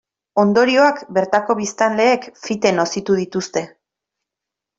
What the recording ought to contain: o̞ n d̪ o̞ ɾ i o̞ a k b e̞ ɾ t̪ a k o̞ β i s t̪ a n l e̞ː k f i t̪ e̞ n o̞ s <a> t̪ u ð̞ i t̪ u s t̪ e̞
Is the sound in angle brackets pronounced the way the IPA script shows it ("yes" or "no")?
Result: no